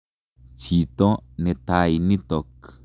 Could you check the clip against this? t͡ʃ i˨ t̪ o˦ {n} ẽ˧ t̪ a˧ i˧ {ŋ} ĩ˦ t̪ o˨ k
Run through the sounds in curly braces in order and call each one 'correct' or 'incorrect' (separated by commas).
correct, incorrect